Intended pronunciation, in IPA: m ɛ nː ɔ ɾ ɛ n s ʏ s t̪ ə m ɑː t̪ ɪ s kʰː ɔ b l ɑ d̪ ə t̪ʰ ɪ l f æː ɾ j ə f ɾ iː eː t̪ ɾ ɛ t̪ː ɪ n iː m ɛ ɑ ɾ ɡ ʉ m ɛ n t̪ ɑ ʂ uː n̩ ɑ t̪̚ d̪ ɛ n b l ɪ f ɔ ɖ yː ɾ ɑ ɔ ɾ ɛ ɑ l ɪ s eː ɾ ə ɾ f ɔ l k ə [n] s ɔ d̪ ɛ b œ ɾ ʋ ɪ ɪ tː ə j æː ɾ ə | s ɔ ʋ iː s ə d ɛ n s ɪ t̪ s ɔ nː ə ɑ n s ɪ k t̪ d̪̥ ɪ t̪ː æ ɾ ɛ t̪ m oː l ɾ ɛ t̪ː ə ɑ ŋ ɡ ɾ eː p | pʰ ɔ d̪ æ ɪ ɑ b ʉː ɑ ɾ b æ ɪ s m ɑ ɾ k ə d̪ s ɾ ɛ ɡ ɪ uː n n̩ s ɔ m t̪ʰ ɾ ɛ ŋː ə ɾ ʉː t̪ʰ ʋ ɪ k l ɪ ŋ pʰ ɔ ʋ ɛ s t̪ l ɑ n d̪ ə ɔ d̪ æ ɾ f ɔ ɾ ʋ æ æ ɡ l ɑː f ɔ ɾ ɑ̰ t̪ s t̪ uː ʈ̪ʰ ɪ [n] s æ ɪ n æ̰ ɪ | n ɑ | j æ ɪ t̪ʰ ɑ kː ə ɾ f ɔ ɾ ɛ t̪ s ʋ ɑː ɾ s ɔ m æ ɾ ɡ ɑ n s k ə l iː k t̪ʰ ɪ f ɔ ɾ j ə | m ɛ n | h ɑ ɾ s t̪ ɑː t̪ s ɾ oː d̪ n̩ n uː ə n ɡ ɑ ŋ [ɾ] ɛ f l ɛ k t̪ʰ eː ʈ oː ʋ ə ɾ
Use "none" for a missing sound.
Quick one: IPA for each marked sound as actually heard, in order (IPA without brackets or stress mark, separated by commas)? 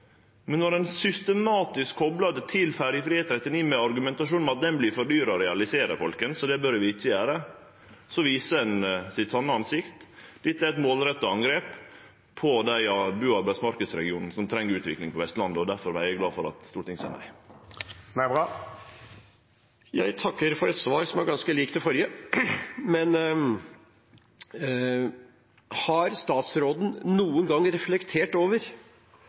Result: n, ŋ, ɾ